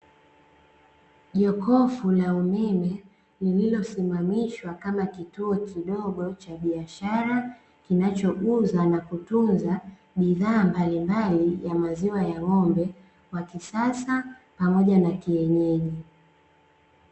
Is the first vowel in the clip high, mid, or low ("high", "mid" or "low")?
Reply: mid